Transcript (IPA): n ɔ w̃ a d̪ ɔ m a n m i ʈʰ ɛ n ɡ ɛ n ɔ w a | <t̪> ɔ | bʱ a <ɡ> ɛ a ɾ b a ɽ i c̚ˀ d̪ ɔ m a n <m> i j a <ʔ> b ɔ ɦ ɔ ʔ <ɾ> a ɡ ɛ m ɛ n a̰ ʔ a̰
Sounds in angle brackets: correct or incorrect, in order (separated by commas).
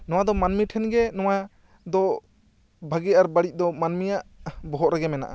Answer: incorrect, correct, correct, correct, correct